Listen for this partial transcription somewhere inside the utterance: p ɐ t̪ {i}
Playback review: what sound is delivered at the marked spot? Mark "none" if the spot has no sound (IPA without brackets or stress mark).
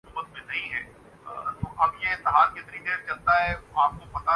a